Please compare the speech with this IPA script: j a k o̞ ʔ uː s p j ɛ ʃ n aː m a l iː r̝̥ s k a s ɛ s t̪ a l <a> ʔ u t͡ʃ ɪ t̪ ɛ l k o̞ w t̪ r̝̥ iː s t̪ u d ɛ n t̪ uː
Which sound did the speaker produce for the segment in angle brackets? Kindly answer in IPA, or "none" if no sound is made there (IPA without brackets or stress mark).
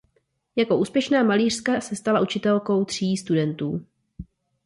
a